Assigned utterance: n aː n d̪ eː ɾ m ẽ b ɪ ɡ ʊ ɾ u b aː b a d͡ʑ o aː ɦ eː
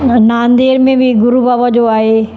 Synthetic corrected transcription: n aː n d̪ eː ɾ m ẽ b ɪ ɡ ʊ ɾ u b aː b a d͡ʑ o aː ɦ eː